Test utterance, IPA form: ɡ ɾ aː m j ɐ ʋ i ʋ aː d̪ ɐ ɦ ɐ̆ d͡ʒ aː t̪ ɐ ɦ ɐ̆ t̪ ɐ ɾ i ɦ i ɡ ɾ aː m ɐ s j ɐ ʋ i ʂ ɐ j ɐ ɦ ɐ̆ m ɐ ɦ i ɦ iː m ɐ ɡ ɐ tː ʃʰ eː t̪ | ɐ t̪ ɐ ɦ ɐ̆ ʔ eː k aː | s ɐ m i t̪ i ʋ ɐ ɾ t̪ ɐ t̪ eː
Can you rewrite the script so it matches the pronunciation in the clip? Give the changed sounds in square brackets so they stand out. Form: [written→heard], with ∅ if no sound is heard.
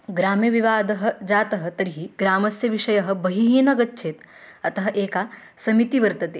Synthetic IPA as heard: ɡ ɾ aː m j ɐ ʋ i ʋ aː d̪ ɐ ɦ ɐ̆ d͡ʒ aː t̪ ɐ ɦ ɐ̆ t̪ ɐ ɾ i ɦ i ɡ ɾ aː m ɐ s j ɐ ʋ i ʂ ɐ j ɐ ɦ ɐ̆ [m→b] ɐ ɦ i ɦ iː [m→n] ɐ ɡ ɐ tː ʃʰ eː t̪ | ɐ t̪ ɐ ɦ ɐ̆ ʔ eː k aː | s ɐ m i t̪ i ʋ ɐ ɾ t̪ ɐ t̪ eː